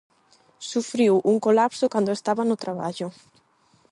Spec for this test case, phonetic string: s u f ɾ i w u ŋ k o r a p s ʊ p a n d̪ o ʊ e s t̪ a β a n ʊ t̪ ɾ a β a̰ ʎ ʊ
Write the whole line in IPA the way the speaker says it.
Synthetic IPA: s u f ɾ i w u ŋ k o l a p s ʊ k a n d̪ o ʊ e s t̪ a β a n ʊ t̪ ɾ a β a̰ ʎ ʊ